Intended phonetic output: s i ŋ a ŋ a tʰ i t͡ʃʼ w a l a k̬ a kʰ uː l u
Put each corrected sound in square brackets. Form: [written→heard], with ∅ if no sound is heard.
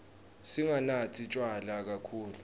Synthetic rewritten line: s i ŋ a [ŋ→n] a tʰ i t͡ʃʼ w a l a k̬ a kʰ uː l u